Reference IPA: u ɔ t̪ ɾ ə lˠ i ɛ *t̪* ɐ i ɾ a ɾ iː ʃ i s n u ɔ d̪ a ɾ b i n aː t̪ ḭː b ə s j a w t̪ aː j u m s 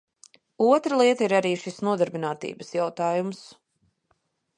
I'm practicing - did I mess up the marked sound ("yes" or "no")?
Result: no